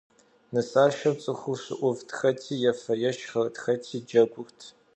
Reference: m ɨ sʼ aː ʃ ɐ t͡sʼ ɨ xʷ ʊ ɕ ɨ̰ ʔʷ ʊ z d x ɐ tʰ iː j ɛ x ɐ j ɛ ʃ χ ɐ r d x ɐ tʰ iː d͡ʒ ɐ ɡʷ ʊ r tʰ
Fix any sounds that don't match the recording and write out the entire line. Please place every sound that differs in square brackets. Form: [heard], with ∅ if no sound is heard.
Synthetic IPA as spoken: [n] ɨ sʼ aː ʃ ɐ t͡sʼ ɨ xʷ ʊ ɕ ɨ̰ ʔʷ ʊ [v] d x ɐ tʰ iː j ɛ [f] ɐ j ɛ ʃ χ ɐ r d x ɐ tʰ iː d͡ʒ ɐ ɡʷ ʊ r tʰ